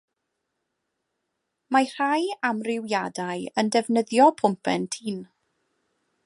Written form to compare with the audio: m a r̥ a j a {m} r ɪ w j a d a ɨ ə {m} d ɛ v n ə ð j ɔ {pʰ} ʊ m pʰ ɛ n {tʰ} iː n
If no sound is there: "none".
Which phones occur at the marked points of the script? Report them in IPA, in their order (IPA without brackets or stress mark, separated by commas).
m, n, pʰ, tʰ